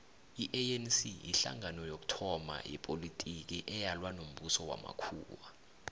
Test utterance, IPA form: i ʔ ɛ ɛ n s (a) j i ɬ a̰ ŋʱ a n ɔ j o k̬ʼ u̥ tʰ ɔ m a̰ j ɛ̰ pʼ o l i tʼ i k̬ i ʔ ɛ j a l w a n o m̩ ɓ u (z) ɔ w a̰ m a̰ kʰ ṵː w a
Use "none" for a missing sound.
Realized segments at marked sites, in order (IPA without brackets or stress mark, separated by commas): i, s